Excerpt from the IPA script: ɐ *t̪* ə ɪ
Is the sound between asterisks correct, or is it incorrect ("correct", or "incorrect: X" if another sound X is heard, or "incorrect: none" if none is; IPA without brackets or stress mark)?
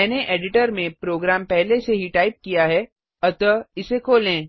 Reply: correct